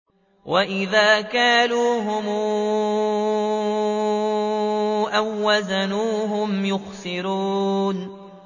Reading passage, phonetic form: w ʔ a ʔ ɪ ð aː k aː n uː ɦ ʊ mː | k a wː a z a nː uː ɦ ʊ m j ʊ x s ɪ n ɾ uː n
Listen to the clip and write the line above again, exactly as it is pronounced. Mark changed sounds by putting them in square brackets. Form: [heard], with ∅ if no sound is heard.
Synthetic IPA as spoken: w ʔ a ʔ ɪ ð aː k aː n uː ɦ ʊ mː | [ʔ] a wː a z a [n] uː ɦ ʊ m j ʊ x s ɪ [∅] ɾ uː n